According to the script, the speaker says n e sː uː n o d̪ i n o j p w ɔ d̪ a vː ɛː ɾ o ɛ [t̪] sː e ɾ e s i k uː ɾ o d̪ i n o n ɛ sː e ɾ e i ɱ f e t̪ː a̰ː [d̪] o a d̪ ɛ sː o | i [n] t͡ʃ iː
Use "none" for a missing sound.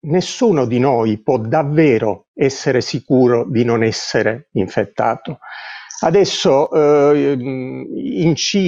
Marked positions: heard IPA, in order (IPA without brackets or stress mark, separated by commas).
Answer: none, t̪, n